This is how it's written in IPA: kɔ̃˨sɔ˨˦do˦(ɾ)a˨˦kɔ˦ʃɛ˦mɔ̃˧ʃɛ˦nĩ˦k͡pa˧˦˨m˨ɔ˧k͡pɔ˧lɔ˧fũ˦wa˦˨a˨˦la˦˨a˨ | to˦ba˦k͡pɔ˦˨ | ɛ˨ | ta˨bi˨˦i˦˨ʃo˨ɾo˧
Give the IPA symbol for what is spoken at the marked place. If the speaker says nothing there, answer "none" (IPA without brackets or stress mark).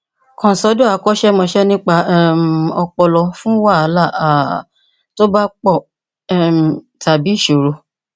none